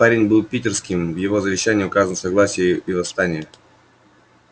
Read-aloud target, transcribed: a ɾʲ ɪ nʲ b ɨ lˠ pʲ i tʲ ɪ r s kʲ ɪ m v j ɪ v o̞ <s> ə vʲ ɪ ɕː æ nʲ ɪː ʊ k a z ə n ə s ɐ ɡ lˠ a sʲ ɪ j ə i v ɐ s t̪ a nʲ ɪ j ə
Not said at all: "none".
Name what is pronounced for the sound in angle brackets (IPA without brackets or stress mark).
z